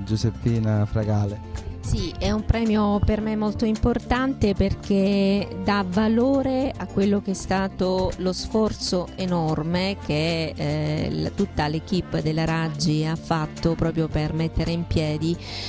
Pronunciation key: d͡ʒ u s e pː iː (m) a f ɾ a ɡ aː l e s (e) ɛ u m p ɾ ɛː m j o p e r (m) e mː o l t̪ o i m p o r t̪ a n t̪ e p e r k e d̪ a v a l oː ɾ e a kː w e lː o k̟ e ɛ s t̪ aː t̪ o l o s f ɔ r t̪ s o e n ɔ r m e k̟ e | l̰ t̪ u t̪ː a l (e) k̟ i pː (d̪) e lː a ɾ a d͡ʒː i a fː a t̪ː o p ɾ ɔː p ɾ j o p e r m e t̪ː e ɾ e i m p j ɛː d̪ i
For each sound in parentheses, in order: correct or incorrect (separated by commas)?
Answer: incorrect, incorrect, correct, correct, correct